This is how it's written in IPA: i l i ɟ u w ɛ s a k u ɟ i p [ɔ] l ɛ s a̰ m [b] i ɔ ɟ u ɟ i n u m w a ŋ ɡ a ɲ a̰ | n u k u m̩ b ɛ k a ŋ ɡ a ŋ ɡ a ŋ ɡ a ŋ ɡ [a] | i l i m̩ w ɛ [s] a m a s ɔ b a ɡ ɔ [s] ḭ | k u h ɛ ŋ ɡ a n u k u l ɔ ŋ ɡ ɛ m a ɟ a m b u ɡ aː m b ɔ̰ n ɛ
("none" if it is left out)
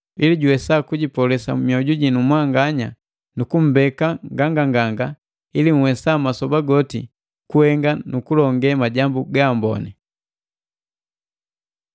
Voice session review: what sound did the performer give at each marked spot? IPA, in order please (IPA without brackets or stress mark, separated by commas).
ɔ, m, a, s, t